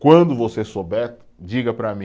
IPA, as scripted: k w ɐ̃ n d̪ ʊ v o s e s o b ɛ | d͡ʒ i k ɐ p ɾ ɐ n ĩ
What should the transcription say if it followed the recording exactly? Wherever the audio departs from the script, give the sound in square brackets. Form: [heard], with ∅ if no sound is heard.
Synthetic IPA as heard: k w ɐ̃ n d̪ ʊ v o s e s o b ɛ | d͡ʒ i [ɡ] ɐ p ɾ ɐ [m] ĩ